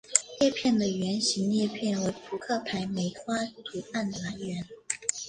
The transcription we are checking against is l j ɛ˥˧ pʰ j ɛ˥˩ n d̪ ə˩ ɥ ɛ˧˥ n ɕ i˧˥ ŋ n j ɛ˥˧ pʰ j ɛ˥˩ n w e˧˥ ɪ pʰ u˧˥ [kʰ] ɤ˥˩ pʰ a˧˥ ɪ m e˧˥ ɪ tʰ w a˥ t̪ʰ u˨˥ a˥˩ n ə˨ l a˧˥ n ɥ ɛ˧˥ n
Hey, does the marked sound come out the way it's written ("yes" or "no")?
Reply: yes